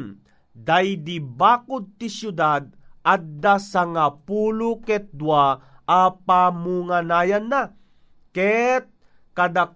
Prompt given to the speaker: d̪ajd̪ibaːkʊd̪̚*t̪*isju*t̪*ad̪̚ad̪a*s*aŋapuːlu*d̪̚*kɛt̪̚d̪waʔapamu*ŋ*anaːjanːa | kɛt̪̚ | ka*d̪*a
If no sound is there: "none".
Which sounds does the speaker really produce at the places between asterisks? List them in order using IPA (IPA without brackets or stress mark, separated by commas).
t̪, d̪, s, none, ŋ, d̪